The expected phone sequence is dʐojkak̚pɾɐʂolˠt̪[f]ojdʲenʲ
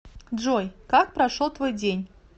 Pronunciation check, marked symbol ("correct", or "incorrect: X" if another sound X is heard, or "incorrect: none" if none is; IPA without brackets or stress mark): incorrect: v